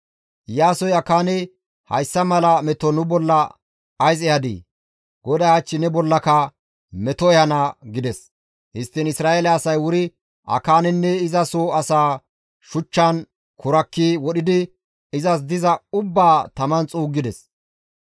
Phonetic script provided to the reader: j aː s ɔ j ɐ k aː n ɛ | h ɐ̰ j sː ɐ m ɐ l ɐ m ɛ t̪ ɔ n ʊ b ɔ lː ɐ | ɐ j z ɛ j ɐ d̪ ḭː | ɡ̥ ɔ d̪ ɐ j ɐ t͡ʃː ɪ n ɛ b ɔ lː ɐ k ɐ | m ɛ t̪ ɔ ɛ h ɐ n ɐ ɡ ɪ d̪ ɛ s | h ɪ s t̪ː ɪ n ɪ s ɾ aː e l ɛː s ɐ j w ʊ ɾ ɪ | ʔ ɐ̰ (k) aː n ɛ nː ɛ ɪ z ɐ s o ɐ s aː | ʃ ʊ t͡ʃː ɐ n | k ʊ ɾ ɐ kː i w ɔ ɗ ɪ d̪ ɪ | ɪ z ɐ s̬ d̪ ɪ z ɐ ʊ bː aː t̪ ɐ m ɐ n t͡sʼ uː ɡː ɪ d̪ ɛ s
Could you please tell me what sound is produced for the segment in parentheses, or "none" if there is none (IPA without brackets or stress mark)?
k